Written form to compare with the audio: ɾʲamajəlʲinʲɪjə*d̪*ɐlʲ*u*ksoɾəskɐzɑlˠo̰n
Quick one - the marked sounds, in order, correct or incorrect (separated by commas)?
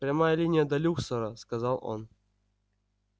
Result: correct, correct